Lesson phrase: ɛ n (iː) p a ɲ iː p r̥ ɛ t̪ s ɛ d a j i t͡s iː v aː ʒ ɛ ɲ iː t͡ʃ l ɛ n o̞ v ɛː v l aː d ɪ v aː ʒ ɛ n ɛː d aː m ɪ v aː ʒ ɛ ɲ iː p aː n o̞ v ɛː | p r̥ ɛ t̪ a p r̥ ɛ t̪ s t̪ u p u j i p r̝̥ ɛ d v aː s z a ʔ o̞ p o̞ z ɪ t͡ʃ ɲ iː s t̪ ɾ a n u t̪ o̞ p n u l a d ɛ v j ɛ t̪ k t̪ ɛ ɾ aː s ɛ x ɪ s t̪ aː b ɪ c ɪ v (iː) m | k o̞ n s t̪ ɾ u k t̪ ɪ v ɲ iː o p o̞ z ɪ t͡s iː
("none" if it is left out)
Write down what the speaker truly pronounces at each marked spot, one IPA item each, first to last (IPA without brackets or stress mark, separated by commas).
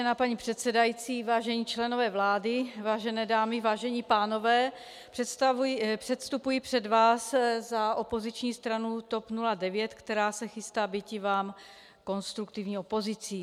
aː, aː